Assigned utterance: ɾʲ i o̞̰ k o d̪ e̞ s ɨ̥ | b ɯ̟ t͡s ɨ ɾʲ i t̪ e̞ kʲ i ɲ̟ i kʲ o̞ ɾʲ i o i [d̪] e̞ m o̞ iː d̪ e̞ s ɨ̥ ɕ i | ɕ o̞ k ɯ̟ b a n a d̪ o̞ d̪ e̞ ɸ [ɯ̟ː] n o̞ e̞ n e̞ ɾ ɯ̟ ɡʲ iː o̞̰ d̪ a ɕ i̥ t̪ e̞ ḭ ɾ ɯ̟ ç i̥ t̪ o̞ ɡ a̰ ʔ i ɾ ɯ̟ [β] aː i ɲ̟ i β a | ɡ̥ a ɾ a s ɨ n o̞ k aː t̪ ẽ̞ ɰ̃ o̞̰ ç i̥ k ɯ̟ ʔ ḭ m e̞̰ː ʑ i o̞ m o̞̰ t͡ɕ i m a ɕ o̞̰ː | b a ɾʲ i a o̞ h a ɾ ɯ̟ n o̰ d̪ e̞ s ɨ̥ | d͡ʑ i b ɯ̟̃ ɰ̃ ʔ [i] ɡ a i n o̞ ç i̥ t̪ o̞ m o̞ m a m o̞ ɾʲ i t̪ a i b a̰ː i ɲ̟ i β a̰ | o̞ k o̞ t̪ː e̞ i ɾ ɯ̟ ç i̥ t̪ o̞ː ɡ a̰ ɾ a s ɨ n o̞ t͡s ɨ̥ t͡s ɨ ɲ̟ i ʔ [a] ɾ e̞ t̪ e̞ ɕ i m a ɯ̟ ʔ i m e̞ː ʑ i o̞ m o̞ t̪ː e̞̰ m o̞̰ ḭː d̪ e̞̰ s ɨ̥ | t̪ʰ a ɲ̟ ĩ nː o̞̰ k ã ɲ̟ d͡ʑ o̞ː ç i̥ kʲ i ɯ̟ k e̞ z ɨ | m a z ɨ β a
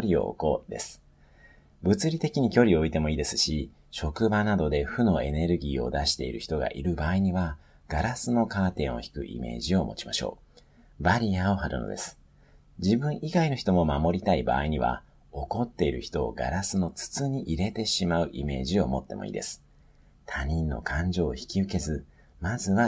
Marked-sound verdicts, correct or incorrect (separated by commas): incorrect, incorrect, incorrect, correct, incorrect